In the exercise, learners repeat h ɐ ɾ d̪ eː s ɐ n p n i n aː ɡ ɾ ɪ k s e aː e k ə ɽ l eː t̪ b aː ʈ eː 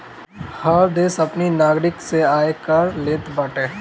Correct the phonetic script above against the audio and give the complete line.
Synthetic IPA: h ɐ ɾ d̪ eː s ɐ p n i n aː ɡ ɾ ɪ k s e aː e k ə ɾ l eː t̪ b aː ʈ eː